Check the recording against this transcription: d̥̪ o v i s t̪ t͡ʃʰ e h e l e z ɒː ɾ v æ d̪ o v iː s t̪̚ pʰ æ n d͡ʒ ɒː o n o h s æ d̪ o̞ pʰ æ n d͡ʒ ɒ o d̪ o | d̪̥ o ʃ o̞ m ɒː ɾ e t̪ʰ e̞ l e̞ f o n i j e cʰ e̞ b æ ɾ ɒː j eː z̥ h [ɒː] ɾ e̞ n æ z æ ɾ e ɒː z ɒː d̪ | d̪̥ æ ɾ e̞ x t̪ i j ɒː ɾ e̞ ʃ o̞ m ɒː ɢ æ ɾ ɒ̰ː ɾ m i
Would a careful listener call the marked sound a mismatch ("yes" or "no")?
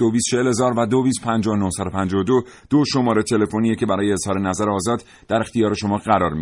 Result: no